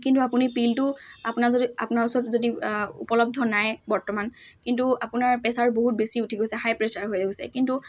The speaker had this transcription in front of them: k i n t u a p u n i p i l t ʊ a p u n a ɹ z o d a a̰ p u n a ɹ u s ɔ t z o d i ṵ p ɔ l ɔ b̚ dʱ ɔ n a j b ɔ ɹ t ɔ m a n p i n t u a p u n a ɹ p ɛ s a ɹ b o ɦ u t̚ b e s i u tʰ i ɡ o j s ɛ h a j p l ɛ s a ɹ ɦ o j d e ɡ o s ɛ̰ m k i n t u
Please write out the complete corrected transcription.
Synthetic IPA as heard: k i n t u a p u n i p i l t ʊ a p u n a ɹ z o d i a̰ p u n a ɹ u s ɔ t z o d i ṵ p ɔ l ɔ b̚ dʱ ɔ n a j b ɔ ɹ t ɔ m a n k i n t u a p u n a ɹ p ɛ s a ɹ b o ɦ u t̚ b e s i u tʰ i ɡ o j s ɛ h a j p ɹ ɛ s a ɹ ɦ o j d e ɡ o s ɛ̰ k i n t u